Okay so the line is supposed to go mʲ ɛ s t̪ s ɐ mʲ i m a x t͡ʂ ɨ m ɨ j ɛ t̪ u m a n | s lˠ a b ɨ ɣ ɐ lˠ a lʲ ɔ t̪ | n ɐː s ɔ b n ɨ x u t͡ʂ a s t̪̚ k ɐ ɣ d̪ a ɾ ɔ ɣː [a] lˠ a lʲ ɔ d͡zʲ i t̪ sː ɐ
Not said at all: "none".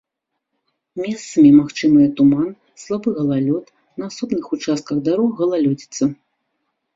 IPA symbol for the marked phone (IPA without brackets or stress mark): ɐ